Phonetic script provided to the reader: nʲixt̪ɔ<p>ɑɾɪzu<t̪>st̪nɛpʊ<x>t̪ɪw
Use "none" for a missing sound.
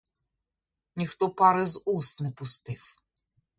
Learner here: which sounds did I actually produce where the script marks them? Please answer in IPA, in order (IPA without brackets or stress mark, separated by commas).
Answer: p, none, s